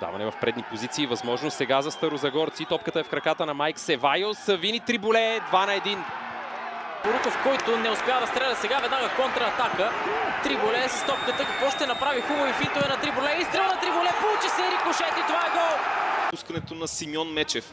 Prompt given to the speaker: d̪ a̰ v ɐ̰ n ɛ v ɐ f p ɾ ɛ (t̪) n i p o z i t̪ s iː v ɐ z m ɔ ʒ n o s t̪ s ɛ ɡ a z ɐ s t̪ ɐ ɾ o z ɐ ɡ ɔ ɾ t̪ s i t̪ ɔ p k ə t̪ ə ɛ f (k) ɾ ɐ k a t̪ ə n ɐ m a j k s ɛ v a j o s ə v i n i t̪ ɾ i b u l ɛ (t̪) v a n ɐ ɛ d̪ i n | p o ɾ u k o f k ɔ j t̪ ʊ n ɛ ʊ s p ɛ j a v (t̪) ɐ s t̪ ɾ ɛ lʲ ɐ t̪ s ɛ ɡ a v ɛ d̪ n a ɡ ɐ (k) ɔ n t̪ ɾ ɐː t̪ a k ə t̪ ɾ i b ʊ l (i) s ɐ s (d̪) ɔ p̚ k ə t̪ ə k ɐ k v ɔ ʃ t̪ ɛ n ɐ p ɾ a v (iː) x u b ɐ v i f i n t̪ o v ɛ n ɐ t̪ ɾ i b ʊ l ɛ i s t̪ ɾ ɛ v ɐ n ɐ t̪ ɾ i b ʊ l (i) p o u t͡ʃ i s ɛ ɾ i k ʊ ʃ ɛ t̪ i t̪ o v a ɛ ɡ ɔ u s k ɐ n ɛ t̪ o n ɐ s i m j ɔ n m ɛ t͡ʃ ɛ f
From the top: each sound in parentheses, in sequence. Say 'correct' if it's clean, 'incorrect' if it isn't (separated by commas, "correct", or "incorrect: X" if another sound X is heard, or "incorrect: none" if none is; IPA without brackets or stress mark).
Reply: incorrect: d̪, correct, incorrect: d̪, incorrect: d̪, correct, incorrect: ɛ, incorrect: t̪, incorrect: i, incorrect: ɛ